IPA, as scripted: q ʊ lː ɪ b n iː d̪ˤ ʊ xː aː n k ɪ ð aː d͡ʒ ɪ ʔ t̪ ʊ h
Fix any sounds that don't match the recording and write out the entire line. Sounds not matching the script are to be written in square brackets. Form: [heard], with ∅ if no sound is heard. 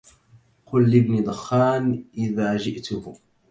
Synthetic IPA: q ʊ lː ɪ b n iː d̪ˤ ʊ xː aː n [ʔ] ɪ ð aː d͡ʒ ɪ ʔ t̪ ʊ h